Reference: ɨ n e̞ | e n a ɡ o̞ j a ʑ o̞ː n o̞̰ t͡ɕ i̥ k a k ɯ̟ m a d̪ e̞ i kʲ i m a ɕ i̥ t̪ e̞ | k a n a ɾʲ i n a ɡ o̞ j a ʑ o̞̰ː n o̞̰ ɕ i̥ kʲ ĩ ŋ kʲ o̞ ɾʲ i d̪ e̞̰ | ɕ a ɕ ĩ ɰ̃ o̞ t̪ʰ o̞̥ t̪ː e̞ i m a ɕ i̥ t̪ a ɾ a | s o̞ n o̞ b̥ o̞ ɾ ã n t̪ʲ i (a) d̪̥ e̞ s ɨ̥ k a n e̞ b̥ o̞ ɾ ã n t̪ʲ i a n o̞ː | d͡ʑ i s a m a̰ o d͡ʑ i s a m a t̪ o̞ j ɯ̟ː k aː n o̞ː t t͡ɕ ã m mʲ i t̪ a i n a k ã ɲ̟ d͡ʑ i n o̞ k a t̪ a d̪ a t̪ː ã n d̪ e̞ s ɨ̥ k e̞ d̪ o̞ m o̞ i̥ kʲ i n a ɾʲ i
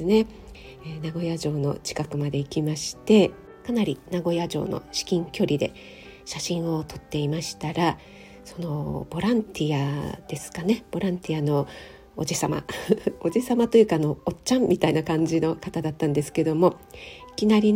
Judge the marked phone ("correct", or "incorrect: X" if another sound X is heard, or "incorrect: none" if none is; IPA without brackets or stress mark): correct